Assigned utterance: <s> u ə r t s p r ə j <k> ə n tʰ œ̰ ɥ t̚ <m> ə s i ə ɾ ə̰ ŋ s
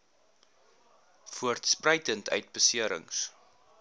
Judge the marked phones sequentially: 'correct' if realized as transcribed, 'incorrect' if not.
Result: incorrect: f, incorrect: t, incorrect: b

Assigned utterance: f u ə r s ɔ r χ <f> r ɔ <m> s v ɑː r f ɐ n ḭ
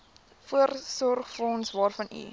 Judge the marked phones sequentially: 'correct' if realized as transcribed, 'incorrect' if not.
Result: correct, incorrect: n

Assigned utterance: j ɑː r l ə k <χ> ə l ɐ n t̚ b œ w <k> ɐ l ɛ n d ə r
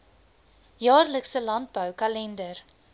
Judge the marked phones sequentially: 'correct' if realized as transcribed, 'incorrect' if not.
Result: incorrect: s, correct

